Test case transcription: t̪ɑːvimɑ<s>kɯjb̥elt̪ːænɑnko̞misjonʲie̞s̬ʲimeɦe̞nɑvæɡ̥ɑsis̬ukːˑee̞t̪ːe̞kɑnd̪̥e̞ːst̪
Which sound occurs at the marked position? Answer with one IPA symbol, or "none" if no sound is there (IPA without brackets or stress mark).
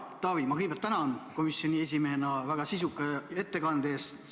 none